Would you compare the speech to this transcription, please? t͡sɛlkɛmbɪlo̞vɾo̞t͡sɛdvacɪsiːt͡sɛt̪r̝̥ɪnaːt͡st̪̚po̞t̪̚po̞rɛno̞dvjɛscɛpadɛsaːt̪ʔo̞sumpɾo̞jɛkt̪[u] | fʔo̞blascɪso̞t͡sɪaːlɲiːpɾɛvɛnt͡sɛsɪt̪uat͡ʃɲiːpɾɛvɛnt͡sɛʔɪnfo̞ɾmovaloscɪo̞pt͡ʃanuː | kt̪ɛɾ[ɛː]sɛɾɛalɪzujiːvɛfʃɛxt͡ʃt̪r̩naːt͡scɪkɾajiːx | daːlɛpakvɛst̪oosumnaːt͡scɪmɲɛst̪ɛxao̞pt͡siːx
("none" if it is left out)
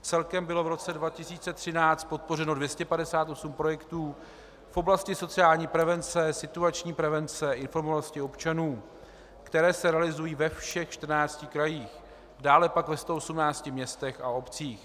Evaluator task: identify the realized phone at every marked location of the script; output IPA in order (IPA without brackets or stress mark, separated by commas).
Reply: uː, ɛː